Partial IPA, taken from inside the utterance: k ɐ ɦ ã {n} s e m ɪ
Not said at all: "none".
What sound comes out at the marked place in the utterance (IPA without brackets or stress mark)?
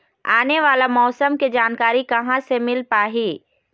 none